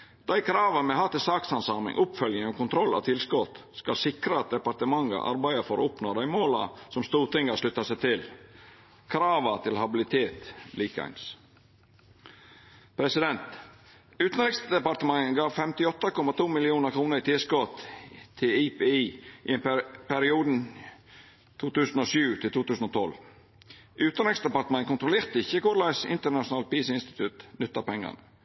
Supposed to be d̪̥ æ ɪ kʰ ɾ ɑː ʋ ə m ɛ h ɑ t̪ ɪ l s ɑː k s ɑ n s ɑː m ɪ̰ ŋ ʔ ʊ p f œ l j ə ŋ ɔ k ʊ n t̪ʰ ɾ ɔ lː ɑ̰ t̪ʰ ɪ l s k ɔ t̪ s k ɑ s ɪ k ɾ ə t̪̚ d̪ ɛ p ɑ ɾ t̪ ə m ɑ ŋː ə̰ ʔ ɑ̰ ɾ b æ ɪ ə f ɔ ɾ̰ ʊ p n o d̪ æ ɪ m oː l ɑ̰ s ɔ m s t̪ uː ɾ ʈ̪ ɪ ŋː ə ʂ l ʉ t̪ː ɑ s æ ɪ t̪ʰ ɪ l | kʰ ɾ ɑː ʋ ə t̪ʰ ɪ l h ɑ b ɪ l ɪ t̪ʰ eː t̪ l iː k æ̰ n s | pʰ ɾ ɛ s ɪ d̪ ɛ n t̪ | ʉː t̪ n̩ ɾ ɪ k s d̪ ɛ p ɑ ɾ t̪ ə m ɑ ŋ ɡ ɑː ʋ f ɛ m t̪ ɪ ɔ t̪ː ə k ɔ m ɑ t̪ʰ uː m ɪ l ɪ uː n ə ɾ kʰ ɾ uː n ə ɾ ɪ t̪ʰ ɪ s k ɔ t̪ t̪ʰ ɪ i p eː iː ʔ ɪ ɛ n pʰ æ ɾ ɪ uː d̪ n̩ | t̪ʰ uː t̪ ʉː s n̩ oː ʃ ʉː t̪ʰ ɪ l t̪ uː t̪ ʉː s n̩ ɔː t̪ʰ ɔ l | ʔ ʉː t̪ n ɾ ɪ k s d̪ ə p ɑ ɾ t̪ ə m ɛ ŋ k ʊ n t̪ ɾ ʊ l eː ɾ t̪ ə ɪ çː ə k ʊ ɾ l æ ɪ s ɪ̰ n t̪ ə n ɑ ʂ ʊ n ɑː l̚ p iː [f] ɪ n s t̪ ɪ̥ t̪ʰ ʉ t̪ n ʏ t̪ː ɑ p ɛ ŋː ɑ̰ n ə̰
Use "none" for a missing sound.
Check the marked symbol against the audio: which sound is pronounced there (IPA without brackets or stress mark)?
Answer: s